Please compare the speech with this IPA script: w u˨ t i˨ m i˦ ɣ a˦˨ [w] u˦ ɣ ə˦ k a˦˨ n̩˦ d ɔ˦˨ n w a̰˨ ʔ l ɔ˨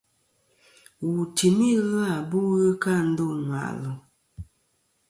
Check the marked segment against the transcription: incorrect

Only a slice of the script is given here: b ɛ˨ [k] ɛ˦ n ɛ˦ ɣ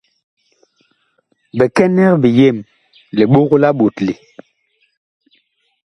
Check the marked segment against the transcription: correct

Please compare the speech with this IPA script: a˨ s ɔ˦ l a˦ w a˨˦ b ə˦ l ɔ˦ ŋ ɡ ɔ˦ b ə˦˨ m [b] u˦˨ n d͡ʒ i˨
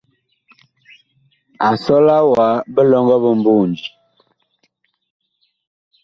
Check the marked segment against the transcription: correct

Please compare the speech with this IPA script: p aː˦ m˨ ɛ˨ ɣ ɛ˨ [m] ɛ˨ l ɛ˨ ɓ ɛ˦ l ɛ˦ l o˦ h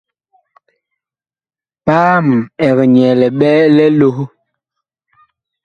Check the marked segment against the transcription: incorrect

